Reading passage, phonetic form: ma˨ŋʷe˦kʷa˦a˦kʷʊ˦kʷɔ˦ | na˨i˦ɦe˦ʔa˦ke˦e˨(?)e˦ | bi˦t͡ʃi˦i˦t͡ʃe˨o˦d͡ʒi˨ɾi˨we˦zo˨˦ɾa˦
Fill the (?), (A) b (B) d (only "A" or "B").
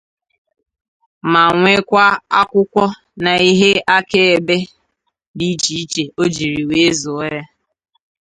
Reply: A